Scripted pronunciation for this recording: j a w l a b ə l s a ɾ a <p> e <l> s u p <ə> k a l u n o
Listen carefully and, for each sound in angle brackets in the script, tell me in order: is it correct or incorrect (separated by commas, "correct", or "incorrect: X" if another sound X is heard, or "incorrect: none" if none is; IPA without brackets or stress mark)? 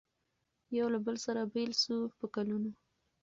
incorrect: b, correct, correct